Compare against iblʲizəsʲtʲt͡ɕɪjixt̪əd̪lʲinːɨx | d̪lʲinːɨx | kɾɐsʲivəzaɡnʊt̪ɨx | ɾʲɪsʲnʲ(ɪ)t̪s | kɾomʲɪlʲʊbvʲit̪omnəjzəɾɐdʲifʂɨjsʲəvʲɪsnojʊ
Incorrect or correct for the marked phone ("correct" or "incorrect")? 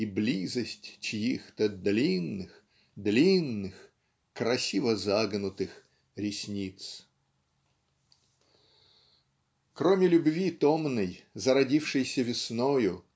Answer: incorrect